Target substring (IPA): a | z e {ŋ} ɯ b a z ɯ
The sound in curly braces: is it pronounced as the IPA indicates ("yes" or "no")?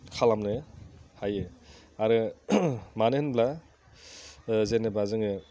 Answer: no